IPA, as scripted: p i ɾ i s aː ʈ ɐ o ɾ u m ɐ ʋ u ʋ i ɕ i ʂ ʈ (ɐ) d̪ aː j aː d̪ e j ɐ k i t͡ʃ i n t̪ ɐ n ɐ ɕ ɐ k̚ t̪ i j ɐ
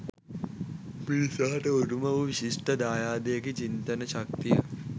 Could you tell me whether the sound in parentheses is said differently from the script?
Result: no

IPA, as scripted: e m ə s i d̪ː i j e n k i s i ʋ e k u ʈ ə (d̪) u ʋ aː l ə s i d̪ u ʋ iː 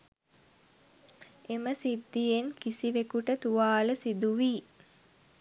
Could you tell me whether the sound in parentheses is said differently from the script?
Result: yes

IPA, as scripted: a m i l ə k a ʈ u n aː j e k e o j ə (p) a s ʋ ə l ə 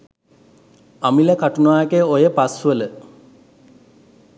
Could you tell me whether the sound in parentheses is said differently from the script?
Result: no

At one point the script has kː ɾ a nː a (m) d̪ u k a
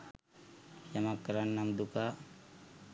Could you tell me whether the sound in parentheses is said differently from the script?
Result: no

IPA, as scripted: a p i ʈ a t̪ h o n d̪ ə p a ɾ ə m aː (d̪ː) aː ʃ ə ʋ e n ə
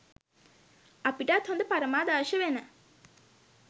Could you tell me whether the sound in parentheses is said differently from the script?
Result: yes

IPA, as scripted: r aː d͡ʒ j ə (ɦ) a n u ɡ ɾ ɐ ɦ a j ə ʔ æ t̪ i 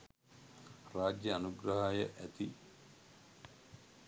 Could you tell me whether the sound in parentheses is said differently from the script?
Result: yes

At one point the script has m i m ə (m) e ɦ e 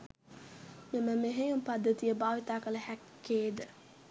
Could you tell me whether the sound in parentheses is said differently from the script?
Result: no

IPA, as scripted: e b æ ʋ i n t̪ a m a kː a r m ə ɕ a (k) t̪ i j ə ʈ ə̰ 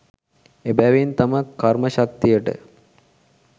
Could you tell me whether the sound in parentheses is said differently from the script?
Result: no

